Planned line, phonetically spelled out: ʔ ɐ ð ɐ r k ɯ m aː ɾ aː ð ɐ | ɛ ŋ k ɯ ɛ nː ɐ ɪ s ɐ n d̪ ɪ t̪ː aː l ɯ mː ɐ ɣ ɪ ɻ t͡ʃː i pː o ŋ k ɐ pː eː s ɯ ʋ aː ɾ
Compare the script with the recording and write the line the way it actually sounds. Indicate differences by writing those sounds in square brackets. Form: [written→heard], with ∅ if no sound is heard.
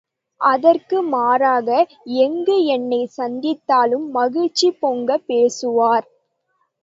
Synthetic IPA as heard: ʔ ɐ ð ɐ r k ɯ m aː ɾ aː [ð→ɣ] ɐ | ɛ ŋ [k→ɡ] ɯ ɛ nː ɐ ɪ s ɐ n d̪ ɪ t̪ː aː l ɯ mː ɐ ɣ ɪ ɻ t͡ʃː i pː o ŋ [k→ɡ] ɐ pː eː s ɯ ʋ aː ɾ